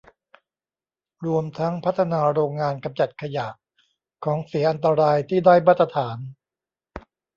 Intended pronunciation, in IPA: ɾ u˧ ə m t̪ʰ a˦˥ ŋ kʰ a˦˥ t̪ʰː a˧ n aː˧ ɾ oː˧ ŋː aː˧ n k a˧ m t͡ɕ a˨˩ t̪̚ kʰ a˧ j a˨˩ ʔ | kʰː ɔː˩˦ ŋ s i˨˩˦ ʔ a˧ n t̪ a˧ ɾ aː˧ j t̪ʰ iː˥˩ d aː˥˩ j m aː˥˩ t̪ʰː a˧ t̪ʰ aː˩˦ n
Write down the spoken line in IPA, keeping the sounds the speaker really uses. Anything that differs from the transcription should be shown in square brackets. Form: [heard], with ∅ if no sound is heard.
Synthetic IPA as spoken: ɾ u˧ ə m t̪ʰ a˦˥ ŋ [pʰ] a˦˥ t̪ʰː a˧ n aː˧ ɾ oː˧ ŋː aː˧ n k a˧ m t͡ɕ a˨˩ t̪̚ kʰ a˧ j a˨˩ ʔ | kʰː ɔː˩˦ ŋ s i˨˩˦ ʔ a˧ n t̪ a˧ ɾ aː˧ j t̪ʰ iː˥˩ d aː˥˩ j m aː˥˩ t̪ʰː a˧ t̪ʰ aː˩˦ n